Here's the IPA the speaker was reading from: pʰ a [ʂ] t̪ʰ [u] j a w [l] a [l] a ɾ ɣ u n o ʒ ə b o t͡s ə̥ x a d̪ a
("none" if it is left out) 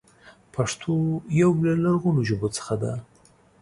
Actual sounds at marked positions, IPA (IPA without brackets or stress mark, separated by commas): ʂ, o, l, l